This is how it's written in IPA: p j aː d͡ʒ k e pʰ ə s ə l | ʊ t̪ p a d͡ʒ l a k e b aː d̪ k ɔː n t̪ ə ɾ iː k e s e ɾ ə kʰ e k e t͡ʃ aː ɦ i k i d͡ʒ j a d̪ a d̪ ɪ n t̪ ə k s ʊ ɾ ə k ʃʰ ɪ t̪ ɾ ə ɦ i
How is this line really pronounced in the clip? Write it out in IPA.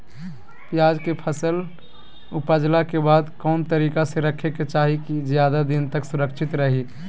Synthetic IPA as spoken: p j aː d͡ʒ k e pʰ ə s ə l | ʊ p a d͡ʒ l a k e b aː d̪ k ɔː n t̪ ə ɾ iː k a s e ɾ ə kʰ e k e t͡ʃ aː ɦ i k i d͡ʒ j a d̪ a d̪ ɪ n t̪ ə k s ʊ ɾ ə k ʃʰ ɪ t̪ ɾ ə ɦ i

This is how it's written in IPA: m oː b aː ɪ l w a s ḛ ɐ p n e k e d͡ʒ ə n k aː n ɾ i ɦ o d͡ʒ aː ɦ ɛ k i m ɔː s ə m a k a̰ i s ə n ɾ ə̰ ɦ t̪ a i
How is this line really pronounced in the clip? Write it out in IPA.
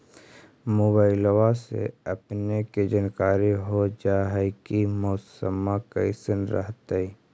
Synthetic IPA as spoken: m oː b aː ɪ l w a s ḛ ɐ p n e k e d͡ʒ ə n k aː ɾ i ɦ o d͡ʒ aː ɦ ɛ k i m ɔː s ə m a k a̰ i s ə n ɾ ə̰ ɦ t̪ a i

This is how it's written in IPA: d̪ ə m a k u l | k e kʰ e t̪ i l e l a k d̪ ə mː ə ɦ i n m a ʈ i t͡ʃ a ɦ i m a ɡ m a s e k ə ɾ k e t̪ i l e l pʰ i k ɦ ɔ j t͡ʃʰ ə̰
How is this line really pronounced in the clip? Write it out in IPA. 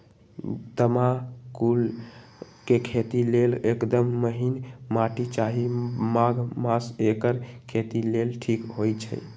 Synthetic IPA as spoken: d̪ ə m a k u l | k e kʰ e t̪ i l e l e k d̪ ə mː ə ɦ i n m a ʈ i t͡ʃ a ɦ i m a ɡ m a s e k ə ɾ kʰ e t̪ i l e l ʈʰ i k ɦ o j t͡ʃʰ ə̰

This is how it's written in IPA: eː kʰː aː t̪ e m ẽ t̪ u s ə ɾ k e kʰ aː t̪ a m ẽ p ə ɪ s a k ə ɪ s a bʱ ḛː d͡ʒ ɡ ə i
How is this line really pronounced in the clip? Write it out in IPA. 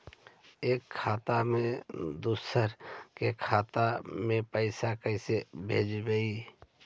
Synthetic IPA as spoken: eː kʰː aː t̪ a m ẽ d̪ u s ə ɾ k e kʰ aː t̪ a m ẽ p ə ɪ s a k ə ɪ s e bʱ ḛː d͡ʒ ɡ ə i

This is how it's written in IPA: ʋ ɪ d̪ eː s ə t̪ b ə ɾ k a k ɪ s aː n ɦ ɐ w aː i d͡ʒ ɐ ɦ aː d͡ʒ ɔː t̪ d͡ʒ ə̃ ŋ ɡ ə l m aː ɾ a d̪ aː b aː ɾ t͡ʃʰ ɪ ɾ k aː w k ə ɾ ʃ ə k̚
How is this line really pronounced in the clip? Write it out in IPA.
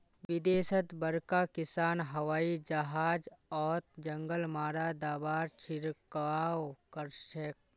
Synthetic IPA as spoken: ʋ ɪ d̪ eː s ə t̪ b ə ɾ k a k ɪ s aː n ɦ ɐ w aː i d͡ʒ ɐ ɦ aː d͡ʒ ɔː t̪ d͡ʒ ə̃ ŋ ɡ ə l m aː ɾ a d̪ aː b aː ɾ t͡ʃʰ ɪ ɾ k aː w k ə ɾ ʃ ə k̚

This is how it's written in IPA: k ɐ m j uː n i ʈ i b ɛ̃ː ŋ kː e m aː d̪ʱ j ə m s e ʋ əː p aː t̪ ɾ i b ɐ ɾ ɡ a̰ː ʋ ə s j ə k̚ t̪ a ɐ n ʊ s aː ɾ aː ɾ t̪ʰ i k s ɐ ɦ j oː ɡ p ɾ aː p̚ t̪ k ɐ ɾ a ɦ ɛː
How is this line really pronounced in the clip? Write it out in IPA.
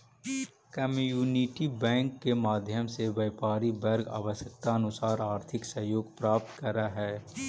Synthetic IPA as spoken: k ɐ m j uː n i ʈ i b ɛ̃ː ŋ kː e m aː d̪ʱ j ə m s e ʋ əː p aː ɾ i b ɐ ɾ ɡ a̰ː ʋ ə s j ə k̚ t̪ a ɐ n ʊ s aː ɾ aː ɾ t̪ʰ ɪ k s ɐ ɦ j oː ɡ p ɾ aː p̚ t̪ k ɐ ɾ a ɦ ɛː

